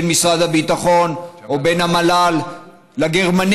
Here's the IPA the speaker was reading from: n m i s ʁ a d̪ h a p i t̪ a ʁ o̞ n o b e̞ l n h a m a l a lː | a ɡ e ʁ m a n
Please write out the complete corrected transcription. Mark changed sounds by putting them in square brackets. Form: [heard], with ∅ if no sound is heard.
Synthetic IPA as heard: n m i s ʁ a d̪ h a [b] i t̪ a [χ] o̞ n o b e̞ [∅] n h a m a l a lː | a ɡ e ʁ m a n